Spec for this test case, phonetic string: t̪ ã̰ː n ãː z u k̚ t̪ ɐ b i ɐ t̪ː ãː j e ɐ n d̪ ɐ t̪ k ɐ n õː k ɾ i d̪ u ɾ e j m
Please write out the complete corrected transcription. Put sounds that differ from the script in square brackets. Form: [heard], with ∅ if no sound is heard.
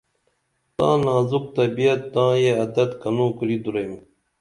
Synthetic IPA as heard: t̪ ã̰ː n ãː z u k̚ t̪ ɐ b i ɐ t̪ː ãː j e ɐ [∅] d̪ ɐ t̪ k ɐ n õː k ɾ i d̪ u ɾ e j m